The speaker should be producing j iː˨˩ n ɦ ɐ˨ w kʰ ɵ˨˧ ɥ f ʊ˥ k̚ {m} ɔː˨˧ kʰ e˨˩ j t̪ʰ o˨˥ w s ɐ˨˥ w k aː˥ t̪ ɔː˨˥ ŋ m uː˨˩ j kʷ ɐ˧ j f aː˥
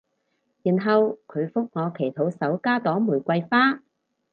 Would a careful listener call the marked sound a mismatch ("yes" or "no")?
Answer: yes